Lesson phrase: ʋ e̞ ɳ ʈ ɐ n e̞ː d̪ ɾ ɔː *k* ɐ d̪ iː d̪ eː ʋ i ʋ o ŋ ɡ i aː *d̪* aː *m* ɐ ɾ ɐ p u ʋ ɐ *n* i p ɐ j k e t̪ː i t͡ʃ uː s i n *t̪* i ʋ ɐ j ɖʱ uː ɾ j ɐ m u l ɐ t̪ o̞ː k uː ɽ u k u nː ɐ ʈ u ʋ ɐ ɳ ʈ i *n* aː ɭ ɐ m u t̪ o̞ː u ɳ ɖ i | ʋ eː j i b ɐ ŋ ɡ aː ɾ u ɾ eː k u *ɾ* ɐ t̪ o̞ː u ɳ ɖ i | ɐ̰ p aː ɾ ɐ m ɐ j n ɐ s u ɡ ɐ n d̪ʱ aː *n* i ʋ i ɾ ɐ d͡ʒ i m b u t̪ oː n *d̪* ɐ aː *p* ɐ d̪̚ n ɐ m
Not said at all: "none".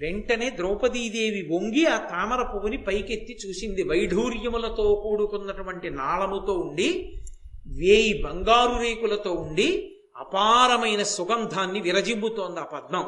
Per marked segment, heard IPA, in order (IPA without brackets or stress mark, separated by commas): p, t̪, m, n, d̪, n, l, nː, d̪, p